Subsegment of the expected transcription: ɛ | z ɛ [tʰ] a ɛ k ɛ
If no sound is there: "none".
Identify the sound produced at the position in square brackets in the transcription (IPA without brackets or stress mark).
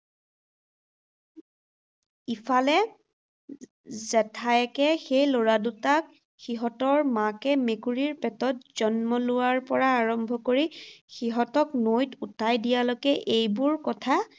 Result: tʰ